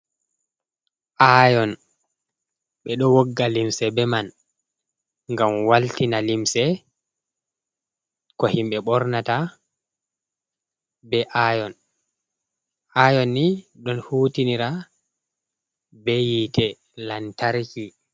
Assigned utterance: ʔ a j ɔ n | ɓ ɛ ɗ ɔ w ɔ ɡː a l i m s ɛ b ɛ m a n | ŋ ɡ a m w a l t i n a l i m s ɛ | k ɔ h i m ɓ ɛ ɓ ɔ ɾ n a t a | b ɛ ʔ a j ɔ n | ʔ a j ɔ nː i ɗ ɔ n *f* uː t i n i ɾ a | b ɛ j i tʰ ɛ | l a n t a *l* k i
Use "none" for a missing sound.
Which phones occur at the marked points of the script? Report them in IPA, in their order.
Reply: h, ɾ

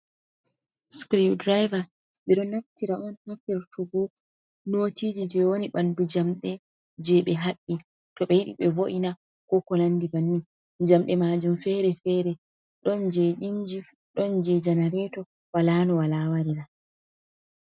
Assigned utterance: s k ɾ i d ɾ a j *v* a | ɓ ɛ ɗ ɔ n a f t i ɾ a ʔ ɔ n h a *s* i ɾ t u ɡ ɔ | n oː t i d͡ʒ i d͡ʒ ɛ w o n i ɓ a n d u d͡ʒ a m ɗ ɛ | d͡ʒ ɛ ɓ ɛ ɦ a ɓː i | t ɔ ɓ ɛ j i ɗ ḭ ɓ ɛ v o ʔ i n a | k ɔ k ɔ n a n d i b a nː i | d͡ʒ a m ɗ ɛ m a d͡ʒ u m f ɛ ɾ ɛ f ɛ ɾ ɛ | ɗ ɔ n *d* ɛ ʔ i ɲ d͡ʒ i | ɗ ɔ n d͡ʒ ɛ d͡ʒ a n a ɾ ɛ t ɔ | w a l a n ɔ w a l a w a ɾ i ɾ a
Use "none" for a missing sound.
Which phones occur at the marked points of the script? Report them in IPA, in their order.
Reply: v, f, d͡ʒ

